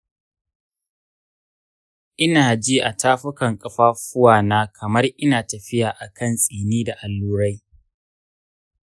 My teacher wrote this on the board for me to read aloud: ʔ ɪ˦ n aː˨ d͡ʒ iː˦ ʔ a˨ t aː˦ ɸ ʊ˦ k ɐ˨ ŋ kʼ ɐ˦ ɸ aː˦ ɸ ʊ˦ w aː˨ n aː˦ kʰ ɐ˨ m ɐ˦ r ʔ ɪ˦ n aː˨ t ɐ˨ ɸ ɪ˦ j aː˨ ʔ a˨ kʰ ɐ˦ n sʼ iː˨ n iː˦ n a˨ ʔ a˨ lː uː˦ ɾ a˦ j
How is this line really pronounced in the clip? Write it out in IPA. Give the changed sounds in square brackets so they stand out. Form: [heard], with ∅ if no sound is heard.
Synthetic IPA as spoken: ʔ ɪ˦ n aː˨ d͡ʒ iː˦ ʔ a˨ t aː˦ ɸ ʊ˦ k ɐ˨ ŋ kʼ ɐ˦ ɸ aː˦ ɸ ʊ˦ w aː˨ n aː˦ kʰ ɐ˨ m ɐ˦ r ʔ ɪ˦ n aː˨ t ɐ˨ ɸ ɪ˦ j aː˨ ʔ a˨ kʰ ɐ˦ n sʼ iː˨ n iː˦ [d] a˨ ʔ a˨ lː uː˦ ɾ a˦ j